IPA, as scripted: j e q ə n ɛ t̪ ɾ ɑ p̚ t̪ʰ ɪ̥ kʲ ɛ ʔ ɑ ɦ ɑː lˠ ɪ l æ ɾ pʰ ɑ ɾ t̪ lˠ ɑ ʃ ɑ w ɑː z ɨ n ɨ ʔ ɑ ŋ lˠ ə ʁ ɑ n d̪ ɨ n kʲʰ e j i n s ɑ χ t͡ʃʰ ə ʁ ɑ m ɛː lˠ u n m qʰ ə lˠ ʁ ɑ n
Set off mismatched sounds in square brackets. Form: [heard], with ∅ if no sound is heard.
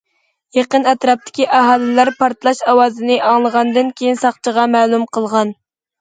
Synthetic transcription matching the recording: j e q ə n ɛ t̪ ɾ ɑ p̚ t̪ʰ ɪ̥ kʲ [i] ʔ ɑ ɦ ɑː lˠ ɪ l æ ɾ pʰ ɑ ɾ t̪ lˠ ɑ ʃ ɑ w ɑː z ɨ n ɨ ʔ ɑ ŋ lˠ ə ʁ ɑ n d̪ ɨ n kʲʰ e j i n s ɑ χ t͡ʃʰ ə ʁ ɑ m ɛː lˠ u [∅] m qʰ ə lˠ ʁ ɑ n